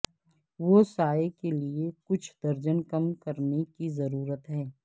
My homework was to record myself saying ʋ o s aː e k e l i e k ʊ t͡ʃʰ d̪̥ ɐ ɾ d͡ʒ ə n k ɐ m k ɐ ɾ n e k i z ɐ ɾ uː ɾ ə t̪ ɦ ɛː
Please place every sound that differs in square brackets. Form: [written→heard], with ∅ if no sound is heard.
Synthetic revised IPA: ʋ o s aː e k e l i e k ʊ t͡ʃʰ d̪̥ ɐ ɾ d͡ʒ ə n k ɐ m k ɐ ɾ n e k i z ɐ ɾ uː ɾ ə t̪ ɦ ɛː